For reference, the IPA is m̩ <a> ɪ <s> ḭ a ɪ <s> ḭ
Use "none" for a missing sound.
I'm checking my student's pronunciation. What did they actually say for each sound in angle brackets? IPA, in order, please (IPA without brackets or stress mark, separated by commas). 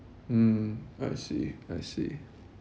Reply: a, s, s